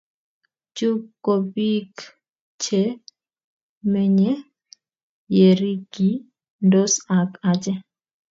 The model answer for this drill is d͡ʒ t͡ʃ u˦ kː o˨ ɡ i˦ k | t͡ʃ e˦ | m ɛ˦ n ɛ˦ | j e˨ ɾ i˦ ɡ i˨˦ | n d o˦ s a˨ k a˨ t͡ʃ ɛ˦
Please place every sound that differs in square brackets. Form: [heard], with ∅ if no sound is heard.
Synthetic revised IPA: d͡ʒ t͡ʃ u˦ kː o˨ [b] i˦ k | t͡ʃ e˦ | m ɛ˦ [ɲ] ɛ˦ | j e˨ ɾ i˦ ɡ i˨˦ | n d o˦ s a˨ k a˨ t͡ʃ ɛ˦